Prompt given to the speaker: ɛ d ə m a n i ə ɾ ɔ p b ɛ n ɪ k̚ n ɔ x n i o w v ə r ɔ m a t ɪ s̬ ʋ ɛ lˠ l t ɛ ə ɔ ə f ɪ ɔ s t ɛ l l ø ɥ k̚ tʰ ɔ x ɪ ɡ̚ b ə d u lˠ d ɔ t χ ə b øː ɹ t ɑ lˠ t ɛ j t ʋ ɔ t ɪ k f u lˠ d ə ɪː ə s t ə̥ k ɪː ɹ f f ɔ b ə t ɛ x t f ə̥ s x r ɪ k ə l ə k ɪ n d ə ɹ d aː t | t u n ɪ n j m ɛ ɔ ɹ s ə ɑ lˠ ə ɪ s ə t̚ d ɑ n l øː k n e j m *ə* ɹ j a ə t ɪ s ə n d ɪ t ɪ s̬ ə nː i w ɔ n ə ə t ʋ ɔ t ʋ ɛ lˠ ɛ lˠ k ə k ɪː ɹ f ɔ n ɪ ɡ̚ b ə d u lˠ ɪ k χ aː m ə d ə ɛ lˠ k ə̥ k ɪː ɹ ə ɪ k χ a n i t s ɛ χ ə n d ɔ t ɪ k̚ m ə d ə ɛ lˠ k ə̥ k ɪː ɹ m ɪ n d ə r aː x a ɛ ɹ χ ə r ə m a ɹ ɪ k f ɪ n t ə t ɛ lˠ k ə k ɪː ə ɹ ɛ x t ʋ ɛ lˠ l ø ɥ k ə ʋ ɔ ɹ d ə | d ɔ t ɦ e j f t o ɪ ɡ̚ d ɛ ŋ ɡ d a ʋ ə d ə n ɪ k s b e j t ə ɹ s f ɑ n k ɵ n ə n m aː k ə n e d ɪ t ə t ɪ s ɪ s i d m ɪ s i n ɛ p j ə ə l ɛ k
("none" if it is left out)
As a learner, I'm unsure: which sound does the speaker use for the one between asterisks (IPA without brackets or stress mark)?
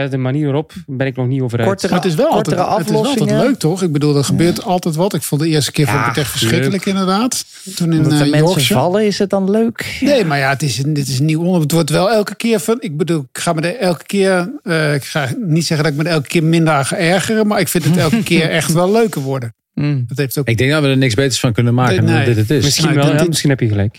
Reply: a